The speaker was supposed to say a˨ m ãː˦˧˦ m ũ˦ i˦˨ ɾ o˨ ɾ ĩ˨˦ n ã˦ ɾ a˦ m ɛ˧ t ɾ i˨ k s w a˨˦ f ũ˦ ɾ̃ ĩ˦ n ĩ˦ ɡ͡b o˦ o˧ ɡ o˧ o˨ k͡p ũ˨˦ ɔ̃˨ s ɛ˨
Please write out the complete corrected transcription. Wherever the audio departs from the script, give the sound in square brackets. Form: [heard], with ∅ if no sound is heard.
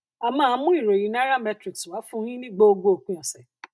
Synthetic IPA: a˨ m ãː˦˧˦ m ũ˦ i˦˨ ɾ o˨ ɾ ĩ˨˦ n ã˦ ɾ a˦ m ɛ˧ t ɾ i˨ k s w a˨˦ f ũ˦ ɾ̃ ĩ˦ n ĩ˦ ɡ͡b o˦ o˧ ɡ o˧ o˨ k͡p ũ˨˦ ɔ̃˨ s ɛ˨